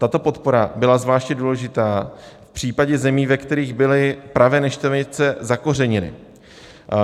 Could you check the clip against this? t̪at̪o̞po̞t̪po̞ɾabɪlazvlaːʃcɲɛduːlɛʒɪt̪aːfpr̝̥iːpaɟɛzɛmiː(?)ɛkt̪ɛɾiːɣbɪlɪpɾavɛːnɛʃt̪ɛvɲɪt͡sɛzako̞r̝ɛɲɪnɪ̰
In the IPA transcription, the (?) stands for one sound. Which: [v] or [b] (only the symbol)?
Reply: v